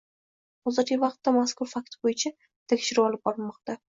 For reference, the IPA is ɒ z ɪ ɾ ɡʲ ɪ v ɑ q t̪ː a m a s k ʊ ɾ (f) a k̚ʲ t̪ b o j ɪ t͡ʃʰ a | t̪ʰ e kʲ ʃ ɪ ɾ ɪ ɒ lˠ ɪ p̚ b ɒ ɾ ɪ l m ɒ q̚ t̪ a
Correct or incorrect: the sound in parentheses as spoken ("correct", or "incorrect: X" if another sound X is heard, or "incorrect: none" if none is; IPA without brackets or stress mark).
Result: correct